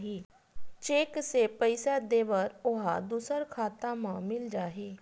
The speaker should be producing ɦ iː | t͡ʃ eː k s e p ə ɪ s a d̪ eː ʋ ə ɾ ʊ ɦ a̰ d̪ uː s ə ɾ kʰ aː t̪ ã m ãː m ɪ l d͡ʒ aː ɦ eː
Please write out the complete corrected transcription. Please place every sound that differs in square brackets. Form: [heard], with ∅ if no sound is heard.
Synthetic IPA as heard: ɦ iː | t͡ʃ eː k s e p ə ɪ s a d̪ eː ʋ ə ɾ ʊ ɦ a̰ d̪ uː s ə ɾ kʰ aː t̪ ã m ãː m ɪ l d͡ʒ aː ɦ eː